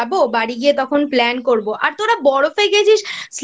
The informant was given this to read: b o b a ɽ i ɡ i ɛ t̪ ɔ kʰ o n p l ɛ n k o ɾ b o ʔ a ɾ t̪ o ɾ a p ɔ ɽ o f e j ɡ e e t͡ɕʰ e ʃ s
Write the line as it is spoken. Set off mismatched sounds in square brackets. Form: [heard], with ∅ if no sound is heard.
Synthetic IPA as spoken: b o b a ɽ i ɡ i [e] t̪ ɔ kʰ o n p l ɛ n k o ɾ b o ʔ a ɾ t̪ o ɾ a [b] ɔ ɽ o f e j ɡ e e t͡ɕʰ [i] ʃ s